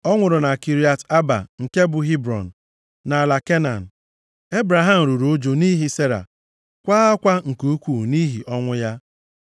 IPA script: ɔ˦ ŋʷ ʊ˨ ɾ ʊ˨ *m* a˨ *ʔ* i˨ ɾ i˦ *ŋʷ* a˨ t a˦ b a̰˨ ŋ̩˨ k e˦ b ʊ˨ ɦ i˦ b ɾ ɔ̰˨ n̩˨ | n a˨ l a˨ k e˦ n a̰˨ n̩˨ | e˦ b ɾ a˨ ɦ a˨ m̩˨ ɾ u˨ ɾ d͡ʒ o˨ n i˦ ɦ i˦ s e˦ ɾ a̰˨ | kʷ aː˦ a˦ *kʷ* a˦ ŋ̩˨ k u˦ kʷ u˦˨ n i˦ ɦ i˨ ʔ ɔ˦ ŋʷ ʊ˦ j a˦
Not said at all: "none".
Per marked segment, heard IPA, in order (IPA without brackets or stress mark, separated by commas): n, k, none, kʷ